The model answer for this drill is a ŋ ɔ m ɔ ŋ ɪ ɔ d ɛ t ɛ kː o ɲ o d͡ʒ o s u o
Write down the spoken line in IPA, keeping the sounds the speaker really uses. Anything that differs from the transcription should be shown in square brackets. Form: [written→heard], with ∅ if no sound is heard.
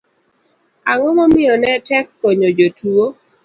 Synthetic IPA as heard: a ŋ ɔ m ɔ [ŋ→m] ɪ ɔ [d→n] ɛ t ɛ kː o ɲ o d͡ʒ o [s→t] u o